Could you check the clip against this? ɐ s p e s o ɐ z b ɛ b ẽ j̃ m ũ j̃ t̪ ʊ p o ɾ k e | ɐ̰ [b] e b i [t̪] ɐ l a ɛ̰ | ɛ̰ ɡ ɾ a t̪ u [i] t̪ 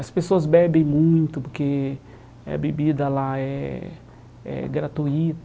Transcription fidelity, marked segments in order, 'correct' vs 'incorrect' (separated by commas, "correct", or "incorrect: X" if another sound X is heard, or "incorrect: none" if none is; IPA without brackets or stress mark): correct, incorrect: d̪, correct